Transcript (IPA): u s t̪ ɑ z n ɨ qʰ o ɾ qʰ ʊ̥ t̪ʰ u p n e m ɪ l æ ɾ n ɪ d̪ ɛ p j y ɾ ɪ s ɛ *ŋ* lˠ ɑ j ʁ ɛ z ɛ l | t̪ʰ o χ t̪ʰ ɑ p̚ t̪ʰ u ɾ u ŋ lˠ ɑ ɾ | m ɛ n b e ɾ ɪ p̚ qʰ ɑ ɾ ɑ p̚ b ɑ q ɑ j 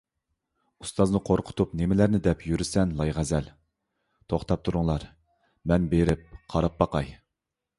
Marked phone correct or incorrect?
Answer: incorrect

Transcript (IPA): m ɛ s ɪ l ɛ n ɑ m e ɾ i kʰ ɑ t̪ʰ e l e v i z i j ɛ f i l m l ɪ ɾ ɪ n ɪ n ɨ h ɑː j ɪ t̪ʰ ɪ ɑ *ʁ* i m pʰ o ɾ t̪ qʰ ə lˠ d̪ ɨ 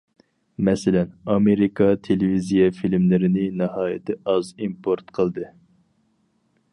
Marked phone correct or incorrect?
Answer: incorrect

